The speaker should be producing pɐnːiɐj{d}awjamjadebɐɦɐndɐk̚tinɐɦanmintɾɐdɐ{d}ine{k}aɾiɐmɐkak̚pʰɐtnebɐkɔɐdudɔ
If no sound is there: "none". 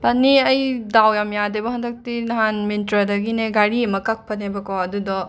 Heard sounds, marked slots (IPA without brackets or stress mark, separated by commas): d, ɡ, ɡ